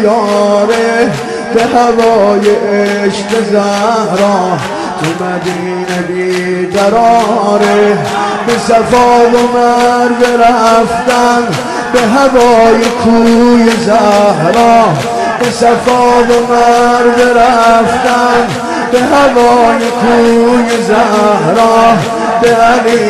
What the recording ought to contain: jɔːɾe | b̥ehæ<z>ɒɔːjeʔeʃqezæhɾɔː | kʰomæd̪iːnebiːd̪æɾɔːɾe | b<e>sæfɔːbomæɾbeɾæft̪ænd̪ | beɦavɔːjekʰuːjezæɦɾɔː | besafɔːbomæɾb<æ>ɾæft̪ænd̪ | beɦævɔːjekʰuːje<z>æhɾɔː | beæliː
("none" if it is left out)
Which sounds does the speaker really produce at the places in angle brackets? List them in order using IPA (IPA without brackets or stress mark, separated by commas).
v, e, e, z